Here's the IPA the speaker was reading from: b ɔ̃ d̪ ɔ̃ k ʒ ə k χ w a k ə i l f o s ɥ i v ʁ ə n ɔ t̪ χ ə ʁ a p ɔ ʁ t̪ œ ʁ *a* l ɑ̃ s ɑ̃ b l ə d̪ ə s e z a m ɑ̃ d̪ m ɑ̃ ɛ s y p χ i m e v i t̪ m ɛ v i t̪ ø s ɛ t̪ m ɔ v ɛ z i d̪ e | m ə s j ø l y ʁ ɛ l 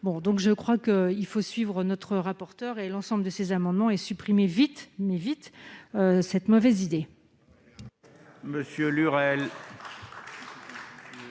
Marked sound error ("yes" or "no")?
yes